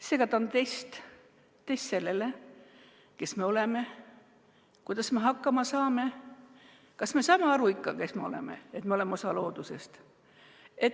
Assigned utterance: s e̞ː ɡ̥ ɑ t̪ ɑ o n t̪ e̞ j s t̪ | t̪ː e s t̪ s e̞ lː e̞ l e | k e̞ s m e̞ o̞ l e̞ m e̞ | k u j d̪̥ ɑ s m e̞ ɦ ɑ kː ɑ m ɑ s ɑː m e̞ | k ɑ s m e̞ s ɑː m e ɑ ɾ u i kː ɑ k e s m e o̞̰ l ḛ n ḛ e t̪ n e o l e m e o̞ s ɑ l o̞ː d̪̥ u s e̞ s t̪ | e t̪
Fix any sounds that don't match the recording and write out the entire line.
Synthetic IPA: s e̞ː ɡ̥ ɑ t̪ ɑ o n t̪ e̞ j s t̪ | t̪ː e s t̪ s e̞ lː e̞ l e | k e̞ s m e̞ o̞ l e̞ m e̞ | k u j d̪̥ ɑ s m e̞ ɦ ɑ kː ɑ m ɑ s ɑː m e̞ | k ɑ s m e̞ s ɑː m e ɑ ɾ u i kː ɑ k e s m e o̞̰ l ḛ m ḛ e t̪ m e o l e m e o̞ s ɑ l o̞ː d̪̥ u s e̞ s t̪ | e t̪

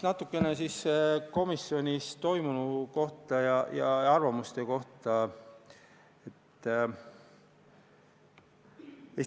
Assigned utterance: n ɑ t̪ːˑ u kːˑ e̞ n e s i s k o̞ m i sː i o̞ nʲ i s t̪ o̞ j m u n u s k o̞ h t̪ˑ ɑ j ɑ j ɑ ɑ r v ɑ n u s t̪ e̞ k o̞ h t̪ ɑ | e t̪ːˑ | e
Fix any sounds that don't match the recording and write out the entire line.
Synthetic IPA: n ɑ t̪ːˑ u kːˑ e̞ n e s i s k o̞ m i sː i o̞ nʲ i s t̪ o̞ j m u n u k o̞ h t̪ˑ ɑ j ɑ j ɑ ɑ r v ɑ m u s t̪ e̞ k o̞ h t̪ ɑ | e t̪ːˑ | e

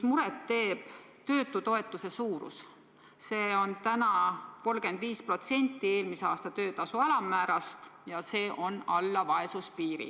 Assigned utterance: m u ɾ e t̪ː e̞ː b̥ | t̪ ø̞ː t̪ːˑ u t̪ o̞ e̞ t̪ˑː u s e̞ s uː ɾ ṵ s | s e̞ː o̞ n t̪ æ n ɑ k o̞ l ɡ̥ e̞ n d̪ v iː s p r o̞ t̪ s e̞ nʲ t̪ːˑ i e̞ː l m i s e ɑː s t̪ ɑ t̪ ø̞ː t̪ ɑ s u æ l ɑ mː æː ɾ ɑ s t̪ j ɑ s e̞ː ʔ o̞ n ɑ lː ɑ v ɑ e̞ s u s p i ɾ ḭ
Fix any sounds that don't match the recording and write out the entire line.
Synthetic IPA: m u ɾ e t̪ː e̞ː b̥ | t̪ ø̞ː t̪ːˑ u t̪ o̞ e̞ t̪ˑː u s e̞ s uː ɾ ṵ s | s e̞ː o̞ n t̪ æ n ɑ k o̞ l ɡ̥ e̞ n d̪ v iː s p r o̞ t̪ s e̞ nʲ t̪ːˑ i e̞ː l m i s e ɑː s t̪ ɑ t̪ ø̞ː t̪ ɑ s u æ l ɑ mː æː ɾ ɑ s t̪ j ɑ s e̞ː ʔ o̞ n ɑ lː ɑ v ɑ e̞ s u s p iː ɾ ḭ

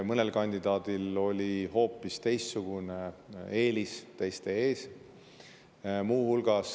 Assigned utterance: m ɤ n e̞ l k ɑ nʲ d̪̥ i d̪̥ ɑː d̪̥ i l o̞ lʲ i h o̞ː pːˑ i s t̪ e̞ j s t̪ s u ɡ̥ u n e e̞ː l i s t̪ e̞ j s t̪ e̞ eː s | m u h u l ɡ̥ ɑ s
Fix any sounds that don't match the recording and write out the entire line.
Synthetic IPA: m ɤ n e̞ l k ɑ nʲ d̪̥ i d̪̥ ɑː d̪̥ i l o̞ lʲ i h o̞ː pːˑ i s t̪ e̞ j s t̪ s u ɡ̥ u n e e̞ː l i s t̪ e̞ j s t̪ e̞ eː s | m uː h u l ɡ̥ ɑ s

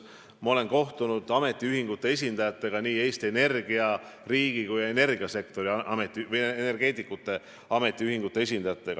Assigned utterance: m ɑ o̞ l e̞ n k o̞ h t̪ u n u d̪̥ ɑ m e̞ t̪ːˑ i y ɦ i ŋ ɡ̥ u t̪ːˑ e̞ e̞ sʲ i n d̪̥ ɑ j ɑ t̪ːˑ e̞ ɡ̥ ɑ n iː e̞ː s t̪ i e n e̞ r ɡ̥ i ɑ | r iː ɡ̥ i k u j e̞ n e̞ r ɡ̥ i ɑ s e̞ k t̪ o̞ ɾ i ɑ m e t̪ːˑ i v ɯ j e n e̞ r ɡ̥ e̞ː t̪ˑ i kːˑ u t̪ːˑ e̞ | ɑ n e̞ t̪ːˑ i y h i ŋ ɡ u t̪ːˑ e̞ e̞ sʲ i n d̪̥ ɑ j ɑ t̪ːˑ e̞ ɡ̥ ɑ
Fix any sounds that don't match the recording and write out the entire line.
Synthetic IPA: m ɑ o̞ l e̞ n k o̞ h t̪ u n u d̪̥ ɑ m e̞ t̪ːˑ i y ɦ i ŋ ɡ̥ u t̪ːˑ e̞ e̞ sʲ i n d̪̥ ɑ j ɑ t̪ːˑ e̞ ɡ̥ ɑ n iː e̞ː s t̪ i e n e̞ r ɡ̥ i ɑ | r iː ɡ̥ i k u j e̞ n e̞ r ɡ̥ i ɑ s e̞ k t̪ o̞ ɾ i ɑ m e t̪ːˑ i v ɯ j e n e̞ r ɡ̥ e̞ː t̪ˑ i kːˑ u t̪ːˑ e̞ | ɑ m e̞ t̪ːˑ i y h i ŋ ɡ u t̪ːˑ e̞ e̞ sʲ i n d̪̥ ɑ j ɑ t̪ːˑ e̞ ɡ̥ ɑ

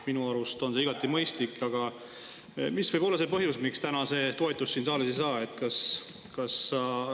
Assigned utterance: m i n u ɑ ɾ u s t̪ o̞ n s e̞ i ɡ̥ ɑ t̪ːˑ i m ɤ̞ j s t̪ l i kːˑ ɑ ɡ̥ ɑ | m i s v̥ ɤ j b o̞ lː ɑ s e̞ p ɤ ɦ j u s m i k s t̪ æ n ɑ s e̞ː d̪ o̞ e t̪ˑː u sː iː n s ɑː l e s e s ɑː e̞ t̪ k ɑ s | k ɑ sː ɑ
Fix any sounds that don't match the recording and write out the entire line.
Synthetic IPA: m i n u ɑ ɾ u s t̪ o̞ n s e̞ i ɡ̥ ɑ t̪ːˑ i m ɤ̞ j s t̪ l i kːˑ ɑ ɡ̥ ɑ | m i s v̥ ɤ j b o̞ lː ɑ s e̞ p ɤ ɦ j u s m i k s t̪ æ n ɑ s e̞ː t̪ o̞ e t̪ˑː u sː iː n s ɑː l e s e s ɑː e̞ t̪ k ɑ s | k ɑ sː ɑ

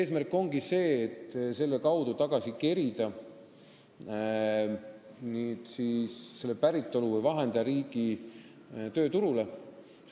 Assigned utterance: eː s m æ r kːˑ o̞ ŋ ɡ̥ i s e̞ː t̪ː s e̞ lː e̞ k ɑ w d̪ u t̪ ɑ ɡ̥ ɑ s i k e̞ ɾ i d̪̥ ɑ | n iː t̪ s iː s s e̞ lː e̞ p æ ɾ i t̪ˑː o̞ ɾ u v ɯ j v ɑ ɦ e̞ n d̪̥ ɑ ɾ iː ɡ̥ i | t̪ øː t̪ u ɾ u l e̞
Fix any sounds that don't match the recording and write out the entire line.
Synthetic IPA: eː s m æ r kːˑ o̞ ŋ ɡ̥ i s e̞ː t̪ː s e̞ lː e̞ k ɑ w d̪ u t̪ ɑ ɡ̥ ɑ s i k e̞ ɾ i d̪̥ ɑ | n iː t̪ s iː s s e̞ lː e̞ p æ ɾ i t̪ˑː o̞ l u v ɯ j v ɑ ɦ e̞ n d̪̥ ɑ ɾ iː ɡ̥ i | t̪ øː t̪ u ɾ u l e̞

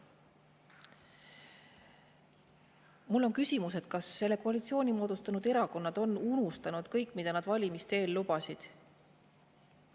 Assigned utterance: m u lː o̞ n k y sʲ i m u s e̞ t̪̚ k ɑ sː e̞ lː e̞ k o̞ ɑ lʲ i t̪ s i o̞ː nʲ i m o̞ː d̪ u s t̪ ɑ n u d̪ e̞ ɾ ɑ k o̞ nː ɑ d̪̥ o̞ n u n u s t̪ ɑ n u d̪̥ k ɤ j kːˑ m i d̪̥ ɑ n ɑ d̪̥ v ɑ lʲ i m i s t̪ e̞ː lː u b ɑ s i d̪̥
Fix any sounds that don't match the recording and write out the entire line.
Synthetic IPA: m u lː o̞ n k y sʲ i m u s e̞ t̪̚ k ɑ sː e̞ lː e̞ k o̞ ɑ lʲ i t̪ s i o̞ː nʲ i m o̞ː d̪ u s t̪ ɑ n u d̪ e̞ ɾ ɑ k o̞ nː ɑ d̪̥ o̞ n u n u s t̪ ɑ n u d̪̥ k ɤ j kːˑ m i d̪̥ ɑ n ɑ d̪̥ v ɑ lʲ i m i s t̪ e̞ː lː u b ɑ s i d̪̥

